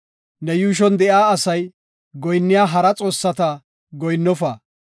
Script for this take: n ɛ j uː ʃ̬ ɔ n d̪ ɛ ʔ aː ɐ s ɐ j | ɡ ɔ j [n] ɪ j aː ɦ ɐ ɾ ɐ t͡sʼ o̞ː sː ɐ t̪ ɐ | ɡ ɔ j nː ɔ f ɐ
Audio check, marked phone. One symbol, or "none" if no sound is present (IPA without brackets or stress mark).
nː